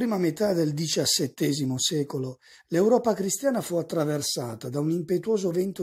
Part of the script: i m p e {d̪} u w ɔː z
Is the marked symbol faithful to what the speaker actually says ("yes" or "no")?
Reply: no